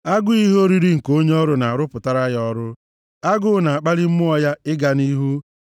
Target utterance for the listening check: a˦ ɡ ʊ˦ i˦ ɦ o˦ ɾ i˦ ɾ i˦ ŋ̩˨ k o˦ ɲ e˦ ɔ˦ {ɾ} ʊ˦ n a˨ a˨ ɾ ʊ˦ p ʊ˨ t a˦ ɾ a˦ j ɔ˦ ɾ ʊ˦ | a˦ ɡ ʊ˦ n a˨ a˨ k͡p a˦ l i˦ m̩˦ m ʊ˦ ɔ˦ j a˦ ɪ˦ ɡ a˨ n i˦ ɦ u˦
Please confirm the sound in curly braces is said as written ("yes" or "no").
yes